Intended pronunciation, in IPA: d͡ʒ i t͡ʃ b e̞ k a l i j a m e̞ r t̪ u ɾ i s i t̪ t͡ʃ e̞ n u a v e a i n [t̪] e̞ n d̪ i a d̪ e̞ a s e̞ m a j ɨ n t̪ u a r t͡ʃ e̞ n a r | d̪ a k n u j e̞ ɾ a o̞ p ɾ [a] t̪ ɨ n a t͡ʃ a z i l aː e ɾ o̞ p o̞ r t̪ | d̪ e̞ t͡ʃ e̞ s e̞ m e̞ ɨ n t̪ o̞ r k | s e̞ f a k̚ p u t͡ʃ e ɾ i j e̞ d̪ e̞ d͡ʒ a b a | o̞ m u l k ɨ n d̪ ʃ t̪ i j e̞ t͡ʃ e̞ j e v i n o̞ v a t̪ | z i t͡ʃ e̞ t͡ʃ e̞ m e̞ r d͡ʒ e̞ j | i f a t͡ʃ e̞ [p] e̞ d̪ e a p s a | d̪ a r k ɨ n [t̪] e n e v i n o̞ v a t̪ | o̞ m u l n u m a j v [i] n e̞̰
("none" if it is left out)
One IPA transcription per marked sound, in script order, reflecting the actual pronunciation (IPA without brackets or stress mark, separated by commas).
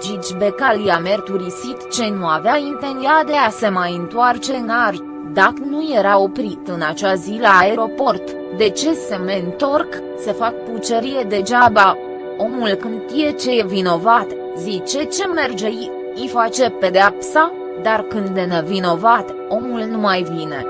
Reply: t̪, i, p, d̪, i